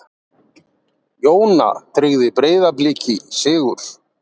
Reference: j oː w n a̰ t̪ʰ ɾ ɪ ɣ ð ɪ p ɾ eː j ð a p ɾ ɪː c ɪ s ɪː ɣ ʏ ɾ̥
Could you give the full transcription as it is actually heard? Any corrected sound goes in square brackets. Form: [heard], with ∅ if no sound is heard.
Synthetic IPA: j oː w n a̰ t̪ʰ ɾ ɪ ɣ ð ɪ p ɾ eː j ð a p [l] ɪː c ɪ s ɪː ɣ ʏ ɾ̥